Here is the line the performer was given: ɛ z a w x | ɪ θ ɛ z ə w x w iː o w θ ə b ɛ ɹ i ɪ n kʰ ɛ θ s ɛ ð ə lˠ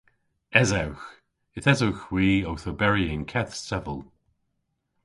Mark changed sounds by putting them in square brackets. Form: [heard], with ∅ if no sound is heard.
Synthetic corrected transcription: ɛ z a w x | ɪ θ ɛ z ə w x w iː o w θ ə b ɛ ɹ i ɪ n kʰ ɛ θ s ɛ [v] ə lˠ